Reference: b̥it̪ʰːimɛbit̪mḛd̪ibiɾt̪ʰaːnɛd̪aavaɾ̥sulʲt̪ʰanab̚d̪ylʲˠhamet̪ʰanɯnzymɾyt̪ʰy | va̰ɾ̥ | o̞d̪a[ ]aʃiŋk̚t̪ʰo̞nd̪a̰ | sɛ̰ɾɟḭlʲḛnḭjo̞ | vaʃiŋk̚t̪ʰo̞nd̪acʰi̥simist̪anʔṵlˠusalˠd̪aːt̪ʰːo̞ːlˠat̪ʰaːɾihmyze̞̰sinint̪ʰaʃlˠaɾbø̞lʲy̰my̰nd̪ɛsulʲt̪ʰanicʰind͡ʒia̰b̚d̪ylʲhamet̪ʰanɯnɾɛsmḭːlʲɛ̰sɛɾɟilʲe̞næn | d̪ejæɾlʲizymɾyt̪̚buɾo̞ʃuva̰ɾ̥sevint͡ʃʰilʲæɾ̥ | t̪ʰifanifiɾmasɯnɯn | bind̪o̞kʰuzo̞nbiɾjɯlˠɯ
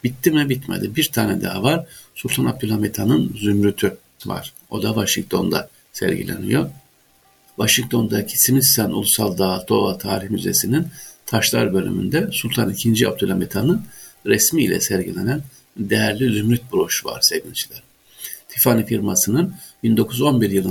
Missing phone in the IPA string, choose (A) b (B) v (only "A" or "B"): B